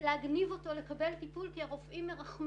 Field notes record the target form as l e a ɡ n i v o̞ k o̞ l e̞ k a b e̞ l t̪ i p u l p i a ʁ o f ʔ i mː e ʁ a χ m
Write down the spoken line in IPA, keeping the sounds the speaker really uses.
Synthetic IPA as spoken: l e a ɡ n i v o̞ t o̞ l e̞ k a b e̞ l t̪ i p u l k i a ʁ o f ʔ i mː e ʁ a χ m